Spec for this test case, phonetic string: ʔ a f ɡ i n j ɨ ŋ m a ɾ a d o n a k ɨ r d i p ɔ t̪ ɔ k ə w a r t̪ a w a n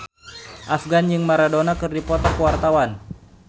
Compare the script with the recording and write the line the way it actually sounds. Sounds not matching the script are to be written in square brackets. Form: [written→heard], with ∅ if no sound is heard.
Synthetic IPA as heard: ʔ a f ɡ [i→a] n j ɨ ŋ m a ɾ a d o n a k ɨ r d i p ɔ t̪ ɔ k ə w a r t̪ a w a n